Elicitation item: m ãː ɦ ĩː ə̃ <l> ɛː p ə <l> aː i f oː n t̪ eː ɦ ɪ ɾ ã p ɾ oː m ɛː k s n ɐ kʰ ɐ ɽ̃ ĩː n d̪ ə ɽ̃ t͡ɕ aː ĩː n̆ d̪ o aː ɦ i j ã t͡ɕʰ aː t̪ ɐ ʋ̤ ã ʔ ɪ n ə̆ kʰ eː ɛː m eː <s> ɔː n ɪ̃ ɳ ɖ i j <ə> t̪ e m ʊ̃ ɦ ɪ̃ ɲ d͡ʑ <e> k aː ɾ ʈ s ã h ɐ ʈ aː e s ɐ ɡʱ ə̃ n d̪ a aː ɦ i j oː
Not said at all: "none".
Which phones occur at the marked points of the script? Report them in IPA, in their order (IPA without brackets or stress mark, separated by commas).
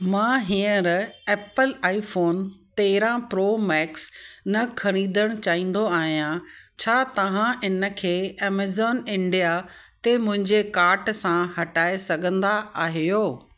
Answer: ɾ, l, z, a, e